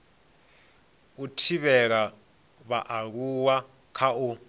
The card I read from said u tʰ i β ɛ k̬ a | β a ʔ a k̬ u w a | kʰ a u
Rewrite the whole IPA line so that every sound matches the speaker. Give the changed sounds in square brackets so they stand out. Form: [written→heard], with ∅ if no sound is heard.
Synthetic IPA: u tʰ i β ɛ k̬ a | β a ʔ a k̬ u w a | kʰ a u